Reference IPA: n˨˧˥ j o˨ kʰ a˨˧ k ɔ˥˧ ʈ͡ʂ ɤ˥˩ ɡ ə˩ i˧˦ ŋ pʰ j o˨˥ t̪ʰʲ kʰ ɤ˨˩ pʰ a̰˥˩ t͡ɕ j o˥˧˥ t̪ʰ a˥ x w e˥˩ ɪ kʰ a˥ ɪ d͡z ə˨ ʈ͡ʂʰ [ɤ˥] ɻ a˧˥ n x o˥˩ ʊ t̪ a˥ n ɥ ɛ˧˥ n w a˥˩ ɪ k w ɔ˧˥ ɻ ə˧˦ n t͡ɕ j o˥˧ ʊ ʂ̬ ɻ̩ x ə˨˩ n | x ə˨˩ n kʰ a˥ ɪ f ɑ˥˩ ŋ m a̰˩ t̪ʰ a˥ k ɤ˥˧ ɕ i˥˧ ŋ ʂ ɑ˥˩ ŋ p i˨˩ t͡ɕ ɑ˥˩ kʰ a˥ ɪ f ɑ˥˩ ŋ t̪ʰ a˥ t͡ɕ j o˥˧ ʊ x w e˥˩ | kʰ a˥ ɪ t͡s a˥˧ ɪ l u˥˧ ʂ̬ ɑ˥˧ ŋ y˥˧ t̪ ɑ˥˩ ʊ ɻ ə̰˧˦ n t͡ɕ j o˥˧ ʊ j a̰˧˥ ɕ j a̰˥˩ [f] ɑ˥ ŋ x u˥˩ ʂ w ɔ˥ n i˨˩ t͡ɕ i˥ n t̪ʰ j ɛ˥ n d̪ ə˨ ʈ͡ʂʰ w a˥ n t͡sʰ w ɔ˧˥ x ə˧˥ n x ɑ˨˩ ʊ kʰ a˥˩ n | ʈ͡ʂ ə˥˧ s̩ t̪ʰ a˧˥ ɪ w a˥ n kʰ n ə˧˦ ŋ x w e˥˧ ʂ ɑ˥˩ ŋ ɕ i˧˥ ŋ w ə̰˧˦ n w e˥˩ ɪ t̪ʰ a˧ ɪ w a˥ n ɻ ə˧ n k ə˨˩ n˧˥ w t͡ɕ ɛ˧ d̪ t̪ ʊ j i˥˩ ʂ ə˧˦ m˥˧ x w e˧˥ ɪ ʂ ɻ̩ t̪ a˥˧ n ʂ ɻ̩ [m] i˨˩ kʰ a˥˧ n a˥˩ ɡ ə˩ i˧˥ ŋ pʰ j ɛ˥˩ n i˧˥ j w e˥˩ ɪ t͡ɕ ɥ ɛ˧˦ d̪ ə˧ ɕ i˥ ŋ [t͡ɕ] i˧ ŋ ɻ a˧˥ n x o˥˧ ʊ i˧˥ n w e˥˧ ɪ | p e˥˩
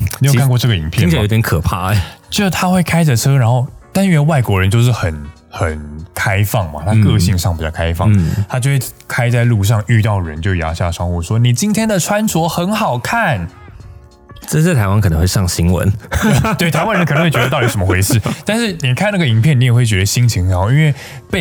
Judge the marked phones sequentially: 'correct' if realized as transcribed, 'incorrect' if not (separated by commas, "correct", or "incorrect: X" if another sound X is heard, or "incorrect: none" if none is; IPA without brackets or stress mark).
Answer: correct, incorrect: ʂ, incorrect: n, incorrect: t͡ɕʰ